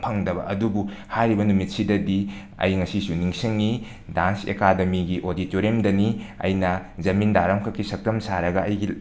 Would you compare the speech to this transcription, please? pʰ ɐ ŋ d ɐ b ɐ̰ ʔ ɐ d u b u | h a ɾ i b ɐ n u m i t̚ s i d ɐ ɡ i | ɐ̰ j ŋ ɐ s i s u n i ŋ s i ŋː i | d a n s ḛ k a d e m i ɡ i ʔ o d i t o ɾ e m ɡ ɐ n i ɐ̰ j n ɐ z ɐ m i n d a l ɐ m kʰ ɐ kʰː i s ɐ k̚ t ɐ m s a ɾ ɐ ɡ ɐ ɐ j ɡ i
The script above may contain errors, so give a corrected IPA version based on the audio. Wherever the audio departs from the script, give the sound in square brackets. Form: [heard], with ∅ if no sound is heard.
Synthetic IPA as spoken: pʰ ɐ ŋ d ɐ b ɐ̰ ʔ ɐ d u b u | h a ɾ i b ɐ n u m i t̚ s i d ɐ [d] i | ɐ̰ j ŋ ɐ s i s u n i ŋ s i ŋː i | d a n s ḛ k a d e m i ɡ i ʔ o d i t o ɾ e m [d] ɐ n i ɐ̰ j n ɐ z ɐ m i n d a [ɾ] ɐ m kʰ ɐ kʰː i s ɐ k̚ t ɐ m s a ɾ ɐ ɡ ɐ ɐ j ɡ i